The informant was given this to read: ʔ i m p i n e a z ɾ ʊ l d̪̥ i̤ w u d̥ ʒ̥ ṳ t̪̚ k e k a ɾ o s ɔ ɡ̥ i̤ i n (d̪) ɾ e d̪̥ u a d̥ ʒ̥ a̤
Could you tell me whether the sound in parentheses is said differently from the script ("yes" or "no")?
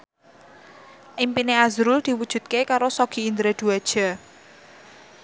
no